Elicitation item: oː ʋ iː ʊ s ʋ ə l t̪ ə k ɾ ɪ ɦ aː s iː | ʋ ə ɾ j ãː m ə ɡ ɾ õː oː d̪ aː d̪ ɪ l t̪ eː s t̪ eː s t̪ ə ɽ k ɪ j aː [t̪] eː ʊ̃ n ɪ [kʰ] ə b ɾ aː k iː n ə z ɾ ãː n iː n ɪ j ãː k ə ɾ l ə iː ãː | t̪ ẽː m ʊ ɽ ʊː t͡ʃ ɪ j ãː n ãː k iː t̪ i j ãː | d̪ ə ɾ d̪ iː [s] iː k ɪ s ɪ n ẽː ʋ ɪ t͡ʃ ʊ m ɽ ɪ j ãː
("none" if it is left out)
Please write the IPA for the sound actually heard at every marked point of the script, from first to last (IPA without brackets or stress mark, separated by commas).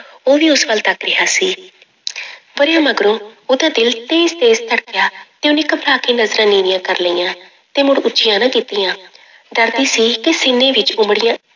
t̪, k, s